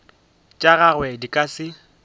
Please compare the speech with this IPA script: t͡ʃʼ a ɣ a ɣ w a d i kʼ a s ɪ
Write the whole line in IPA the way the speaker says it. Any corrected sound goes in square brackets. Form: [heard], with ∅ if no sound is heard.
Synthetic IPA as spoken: t͡ʃʼ a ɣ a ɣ w [ɛ] d i kʼ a s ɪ